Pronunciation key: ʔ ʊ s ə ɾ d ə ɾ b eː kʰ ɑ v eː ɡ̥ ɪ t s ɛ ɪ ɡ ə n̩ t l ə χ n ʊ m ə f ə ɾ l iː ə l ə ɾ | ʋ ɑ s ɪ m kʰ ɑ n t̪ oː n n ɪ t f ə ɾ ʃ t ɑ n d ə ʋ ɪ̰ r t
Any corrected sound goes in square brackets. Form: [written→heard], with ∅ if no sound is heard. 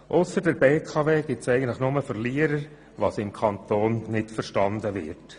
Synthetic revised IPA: ʔ ʊ s ə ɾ d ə ɾ b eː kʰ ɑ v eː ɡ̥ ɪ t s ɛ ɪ ɡ ə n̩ t l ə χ n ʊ m ə f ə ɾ l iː ə [l→ɾ] ə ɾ | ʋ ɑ s ɪ m kʰ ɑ n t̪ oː n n ɪ t f ə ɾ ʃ t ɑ n d ə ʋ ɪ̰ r t